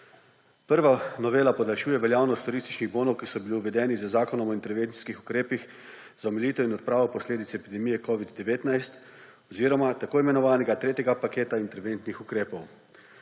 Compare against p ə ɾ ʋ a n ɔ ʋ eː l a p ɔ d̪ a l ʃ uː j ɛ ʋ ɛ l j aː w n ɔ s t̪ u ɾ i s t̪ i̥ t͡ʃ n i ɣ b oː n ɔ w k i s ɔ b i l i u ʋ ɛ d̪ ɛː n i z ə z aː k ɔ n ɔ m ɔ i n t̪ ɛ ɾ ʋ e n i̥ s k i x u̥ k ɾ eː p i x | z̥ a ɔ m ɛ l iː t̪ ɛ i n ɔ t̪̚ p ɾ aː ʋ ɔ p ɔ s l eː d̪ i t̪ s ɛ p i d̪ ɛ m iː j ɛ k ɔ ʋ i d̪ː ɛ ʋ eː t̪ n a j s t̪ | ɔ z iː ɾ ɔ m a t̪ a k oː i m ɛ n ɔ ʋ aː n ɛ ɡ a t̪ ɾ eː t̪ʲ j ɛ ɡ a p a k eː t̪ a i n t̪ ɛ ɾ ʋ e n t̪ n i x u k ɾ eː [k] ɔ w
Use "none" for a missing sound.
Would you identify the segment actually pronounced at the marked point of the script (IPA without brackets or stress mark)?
p